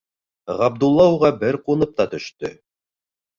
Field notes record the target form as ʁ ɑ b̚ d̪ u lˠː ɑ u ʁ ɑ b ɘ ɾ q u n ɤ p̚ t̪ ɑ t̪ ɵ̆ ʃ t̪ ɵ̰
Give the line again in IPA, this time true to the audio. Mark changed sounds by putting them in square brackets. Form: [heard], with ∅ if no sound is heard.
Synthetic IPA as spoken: ʁ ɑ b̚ d̪ u lˠː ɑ u ʁ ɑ b ɘ ɾ q u n ɤ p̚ t̪ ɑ t̪ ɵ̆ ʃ t̪ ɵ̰